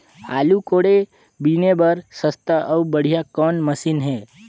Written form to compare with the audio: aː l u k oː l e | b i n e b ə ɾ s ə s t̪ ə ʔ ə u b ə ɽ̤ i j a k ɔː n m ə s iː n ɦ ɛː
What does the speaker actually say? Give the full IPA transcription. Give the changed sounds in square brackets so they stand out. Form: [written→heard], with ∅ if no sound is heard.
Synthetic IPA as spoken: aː l u k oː [l→ɽ] e | b i n e b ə ɾ s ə s t̪ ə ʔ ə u b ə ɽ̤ i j a k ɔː n m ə s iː n ɦ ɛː